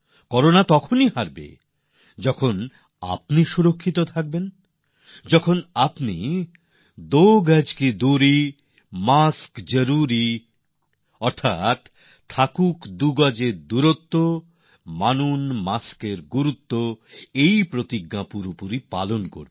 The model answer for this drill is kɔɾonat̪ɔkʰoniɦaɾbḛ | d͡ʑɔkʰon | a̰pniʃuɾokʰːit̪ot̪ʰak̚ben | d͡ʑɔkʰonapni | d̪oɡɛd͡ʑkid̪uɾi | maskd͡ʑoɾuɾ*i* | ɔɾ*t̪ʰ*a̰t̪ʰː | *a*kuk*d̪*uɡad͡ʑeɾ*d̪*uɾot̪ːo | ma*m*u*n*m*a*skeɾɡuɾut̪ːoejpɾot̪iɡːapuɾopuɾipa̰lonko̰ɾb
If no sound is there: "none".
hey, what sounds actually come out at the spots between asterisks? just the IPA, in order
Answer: i, t̪ʰ, a, d̪, d̪, n, n, a

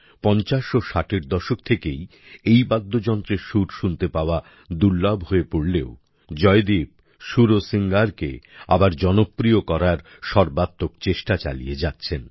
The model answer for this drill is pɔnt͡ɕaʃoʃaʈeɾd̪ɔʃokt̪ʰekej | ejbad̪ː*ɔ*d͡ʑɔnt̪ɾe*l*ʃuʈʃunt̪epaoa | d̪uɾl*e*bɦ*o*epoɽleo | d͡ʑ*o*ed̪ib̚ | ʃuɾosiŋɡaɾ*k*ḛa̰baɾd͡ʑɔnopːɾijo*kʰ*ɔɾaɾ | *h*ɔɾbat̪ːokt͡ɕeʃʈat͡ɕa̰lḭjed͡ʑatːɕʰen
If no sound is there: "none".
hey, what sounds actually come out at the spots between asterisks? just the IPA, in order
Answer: o, ɾ, a, o, ɔ, k, k, ʃ

